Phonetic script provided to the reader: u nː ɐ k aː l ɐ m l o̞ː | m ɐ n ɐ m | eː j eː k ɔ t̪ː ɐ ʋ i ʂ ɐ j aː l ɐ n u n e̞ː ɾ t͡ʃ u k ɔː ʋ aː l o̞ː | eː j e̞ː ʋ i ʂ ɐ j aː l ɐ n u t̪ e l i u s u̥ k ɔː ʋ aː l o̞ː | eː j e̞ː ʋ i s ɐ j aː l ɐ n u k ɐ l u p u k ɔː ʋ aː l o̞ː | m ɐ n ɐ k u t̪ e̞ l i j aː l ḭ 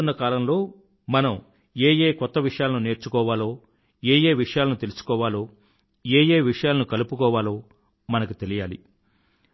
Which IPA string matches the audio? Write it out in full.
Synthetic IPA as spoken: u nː ɐ k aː l ɐ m l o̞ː | m ɐ n ɐ m | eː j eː k ɔ t̪ː ɐ ʋ i ʂ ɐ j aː l ɐ n u n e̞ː ɾ t͡ʃ u k ɔː ʋ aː l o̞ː | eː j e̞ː ʋ i ʂ ɐ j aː l ɐ n u t̪ e l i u s u̥ k ɔː ʋ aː l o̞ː | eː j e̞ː ʋ i ʂ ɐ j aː l ɐ n u k ɐ l u p u k ɔː ʋ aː l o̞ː | m ɐ n ɐ k u t̪ e̞ l i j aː l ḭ